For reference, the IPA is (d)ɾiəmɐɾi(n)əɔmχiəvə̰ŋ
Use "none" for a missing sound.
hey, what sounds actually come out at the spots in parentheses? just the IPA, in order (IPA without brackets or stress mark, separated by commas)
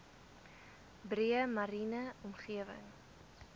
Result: b, n